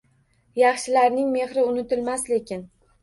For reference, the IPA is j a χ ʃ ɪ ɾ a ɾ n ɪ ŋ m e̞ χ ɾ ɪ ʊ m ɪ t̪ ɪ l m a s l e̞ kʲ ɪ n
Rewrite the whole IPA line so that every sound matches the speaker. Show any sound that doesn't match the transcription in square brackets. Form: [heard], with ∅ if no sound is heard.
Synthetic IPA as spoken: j [ɑ] χ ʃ ɪ [l] a ɾ n ɪ ŋ m e̞ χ ɾ ɪ ʊ [n] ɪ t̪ ɪ l m a s l e̞ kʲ ɪ n